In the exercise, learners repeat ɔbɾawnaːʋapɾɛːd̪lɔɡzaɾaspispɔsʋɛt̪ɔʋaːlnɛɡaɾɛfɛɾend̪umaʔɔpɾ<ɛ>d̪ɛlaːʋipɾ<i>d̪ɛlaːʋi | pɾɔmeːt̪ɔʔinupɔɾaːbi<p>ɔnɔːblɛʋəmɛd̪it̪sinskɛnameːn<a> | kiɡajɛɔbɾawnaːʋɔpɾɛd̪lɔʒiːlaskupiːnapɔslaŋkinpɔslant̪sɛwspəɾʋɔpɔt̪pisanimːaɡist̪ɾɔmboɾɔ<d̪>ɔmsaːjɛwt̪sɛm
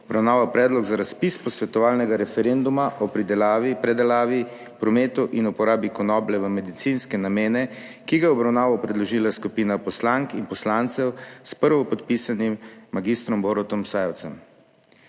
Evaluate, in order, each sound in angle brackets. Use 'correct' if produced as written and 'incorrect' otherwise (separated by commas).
incorrect, incorrect, incorrect, incorrect, incorrect